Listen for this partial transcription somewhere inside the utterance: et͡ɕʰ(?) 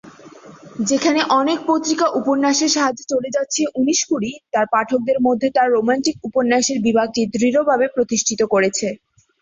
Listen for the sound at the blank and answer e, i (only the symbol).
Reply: e